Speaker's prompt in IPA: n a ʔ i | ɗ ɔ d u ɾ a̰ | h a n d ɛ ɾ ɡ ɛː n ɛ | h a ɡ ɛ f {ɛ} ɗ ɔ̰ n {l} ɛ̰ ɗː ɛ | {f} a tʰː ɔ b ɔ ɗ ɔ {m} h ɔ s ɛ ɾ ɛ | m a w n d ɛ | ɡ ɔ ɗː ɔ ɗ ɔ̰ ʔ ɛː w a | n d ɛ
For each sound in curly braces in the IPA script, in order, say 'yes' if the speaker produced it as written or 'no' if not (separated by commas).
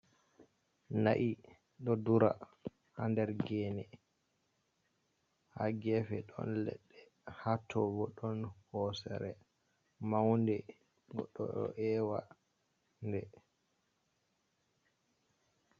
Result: yes, yes, no, no